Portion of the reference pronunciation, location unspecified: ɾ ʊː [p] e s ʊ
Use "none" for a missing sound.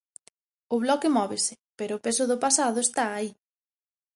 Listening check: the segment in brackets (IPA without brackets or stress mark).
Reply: p